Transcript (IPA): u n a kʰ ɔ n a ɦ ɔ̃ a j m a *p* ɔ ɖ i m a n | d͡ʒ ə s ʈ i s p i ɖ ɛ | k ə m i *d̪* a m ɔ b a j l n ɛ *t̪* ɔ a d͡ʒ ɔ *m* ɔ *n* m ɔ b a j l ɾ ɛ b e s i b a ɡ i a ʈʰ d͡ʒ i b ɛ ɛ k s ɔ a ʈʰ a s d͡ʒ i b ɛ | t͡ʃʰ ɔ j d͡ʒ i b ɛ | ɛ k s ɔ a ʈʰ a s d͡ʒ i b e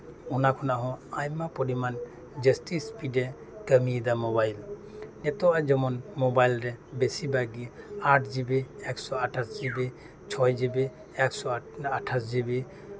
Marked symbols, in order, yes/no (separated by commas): yes, yes, yes, yes, yes